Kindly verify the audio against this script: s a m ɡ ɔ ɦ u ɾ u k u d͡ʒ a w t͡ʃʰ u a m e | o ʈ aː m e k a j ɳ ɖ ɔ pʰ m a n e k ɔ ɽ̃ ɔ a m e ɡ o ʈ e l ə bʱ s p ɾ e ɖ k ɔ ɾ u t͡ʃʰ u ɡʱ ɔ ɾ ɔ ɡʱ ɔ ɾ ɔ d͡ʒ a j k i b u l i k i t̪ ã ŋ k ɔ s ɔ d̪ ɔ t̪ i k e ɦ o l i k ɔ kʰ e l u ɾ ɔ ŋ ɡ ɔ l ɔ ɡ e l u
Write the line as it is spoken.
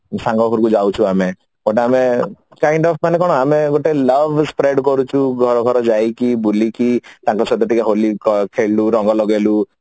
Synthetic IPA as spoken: s a ŋ ɡ ɔ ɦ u ɾ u k u d͡ʒ a w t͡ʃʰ u a m e | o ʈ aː m e k a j ɳ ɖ ɔ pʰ m a n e k ɔ ɽ̃ ɔ a m e ɡ o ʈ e l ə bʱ s p ɾ e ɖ k ɔ ɾ u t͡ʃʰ u ɡʱ ɔ ɾ ɔ ɡʱ ɔ ɾ ɔ d͡ʒ a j k i b u l i k i t̪ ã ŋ k ɔ s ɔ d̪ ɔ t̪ i k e ɦ o l i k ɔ kʰ e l u ɾ ɔ ŋ ɡ ɔ l ɔ ɡ e l u